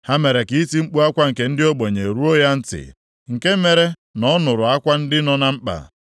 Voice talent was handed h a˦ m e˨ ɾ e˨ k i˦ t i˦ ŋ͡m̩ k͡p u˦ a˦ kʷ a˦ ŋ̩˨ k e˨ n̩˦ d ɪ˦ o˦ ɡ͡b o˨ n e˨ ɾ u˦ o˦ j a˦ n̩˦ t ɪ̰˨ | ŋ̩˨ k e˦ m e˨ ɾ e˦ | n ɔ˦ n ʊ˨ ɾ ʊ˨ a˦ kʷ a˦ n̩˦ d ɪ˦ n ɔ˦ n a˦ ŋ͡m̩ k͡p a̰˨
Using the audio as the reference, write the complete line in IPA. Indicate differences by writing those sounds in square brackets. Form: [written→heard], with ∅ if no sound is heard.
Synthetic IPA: h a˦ m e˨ ɾ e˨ k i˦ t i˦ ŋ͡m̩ k͡p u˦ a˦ kʷ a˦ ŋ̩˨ k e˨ n̩˦ d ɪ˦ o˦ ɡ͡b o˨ [n→ɲ] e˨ ɾ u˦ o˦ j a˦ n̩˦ t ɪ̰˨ | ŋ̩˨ k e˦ m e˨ ɾ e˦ | n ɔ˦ n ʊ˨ ɾ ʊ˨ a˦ kʷ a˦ n̩˦ d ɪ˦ n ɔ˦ n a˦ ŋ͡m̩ k͡p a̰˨